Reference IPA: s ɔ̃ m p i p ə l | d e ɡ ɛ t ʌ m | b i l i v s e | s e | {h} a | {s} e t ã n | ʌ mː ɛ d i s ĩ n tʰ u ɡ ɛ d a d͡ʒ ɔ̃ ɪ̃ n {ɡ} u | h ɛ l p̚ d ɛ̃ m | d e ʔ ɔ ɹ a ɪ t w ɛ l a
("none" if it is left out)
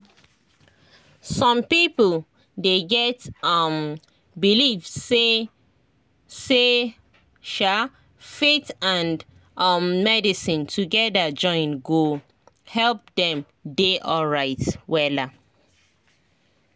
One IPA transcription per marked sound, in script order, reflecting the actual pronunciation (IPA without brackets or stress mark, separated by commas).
ʃ, f, ɡ